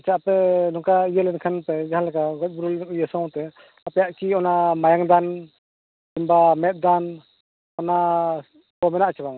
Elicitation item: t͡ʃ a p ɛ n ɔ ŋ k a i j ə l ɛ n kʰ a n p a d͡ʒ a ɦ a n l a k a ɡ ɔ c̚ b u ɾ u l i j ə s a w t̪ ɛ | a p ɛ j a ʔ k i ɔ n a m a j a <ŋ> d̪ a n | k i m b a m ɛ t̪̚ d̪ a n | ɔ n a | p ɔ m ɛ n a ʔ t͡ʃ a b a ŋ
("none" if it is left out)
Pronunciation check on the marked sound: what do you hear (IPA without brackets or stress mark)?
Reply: ŋ